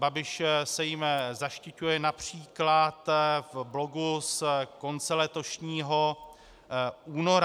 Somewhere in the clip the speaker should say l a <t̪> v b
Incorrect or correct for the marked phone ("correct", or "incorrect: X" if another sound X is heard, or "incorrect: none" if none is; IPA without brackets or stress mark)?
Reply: correct